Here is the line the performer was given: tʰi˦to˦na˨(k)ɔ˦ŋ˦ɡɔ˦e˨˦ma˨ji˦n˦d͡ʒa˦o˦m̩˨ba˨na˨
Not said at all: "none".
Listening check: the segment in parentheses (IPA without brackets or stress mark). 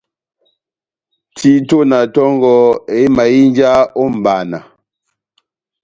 t